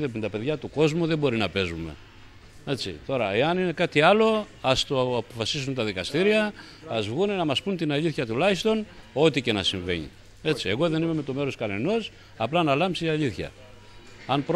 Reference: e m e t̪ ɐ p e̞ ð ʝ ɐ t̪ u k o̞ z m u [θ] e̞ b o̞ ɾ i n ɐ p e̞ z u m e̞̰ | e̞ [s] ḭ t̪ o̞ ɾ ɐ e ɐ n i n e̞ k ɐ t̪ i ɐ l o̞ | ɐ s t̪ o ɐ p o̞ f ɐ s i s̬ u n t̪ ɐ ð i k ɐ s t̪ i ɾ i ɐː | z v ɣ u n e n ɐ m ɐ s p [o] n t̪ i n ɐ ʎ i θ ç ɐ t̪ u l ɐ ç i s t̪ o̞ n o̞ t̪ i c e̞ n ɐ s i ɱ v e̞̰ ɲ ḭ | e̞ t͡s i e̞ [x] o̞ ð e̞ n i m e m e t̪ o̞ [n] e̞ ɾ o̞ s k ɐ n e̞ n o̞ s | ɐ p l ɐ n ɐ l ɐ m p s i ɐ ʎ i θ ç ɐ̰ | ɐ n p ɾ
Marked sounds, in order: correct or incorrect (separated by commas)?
incorrect, incorrect, incorrect, incorrect, incorrect